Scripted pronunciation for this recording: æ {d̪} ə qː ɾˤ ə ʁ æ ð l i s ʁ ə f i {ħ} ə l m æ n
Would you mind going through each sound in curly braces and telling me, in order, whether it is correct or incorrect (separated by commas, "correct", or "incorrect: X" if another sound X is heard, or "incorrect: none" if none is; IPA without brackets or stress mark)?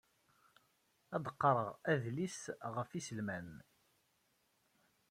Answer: correct, incorrect: s